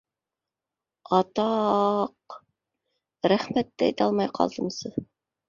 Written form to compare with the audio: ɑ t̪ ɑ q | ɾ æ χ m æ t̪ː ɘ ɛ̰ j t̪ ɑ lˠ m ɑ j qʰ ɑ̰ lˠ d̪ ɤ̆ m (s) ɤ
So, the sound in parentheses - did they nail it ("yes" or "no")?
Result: yes